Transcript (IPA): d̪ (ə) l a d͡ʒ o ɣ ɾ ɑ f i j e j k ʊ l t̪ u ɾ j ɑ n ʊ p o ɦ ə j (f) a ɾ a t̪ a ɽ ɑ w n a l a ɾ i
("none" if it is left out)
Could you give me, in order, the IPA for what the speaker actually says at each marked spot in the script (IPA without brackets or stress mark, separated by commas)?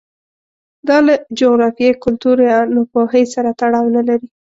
ɑ, s